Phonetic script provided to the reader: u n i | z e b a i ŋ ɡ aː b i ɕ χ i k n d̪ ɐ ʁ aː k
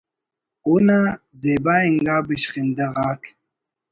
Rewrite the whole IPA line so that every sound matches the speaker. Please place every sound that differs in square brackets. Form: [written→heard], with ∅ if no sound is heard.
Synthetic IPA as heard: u n [i→a] | z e b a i ŋ ɡ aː b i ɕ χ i [k→∅] n d̪ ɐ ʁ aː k